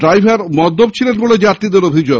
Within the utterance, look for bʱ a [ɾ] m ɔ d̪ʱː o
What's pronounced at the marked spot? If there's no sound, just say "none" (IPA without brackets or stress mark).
ɾ